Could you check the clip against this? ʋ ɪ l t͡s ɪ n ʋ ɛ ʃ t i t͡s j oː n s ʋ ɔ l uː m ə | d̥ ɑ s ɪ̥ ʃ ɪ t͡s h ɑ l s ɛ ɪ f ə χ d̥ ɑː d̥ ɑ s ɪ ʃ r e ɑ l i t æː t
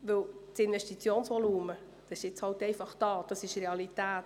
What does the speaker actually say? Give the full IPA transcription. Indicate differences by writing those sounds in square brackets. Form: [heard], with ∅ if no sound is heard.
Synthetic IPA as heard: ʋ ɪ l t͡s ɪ n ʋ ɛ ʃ t i t͡s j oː n s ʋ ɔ l uː m ə | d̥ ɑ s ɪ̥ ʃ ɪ t͡s h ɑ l [t] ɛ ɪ f [ɑ] χ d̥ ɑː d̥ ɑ s ɪ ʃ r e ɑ l i t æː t